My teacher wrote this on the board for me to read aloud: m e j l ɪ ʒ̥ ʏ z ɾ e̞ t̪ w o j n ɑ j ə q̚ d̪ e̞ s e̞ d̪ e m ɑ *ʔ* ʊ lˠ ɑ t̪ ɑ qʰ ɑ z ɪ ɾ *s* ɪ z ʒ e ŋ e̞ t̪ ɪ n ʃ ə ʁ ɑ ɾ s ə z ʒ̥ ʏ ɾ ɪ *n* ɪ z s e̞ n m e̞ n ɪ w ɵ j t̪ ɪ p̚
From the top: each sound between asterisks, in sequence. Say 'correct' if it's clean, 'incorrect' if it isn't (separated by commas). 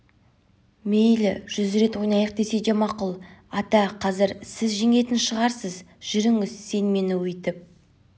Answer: incorrect, correct, incorrect